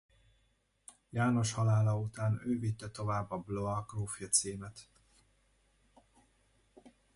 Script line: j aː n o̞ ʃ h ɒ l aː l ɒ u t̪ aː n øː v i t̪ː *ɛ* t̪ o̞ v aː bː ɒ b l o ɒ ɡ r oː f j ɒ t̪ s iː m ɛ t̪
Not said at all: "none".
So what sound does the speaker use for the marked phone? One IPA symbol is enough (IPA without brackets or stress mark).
ɛ